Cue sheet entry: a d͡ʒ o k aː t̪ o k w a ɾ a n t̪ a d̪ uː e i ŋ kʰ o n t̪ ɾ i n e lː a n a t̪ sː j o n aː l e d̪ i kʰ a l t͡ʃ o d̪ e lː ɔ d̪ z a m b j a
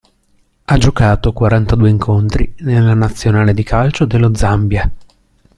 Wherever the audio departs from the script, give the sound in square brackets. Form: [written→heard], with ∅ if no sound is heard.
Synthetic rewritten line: a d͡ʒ o k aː t̪ o k w a ɾ a n t̪ a d̪ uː e i ŋ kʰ o n t̪ ɾ i n e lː a n a t̪ sː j o n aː l e d̪ i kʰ a l t͡ʃ o d̪ e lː [ɔ→o] d̪ z a m b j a